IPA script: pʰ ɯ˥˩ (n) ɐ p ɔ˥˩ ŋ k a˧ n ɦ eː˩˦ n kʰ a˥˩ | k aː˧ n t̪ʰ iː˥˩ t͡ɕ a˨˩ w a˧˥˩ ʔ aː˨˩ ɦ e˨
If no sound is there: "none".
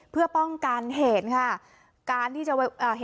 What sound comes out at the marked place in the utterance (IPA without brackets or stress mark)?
none